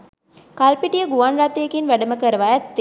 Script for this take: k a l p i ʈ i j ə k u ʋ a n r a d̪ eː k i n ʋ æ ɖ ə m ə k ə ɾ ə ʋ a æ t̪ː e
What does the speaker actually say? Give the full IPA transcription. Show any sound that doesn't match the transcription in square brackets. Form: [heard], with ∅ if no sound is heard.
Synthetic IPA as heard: k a l p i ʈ i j ə [ɡ] u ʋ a n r a [t̪] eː k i n ʋ æ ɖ ə m ə k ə ɾ ə ʋ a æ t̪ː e

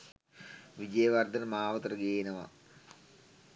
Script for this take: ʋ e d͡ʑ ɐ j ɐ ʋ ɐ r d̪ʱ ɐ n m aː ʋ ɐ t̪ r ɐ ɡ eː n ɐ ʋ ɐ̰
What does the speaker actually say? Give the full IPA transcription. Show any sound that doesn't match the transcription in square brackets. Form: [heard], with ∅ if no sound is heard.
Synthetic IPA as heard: ʋ [i] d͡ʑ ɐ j ɐ ʋ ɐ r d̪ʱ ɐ n m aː ʋ ɐ t̪ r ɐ ɡ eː n ɐ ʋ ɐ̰

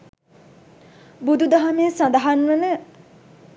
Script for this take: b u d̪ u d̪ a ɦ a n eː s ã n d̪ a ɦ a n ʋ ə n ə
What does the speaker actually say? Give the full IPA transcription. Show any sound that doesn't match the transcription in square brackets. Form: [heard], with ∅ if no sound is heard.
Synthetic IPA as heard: b u d̪ u d̪ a ɦ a [m] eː s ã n d̪ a ɦ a n ʋ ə n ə

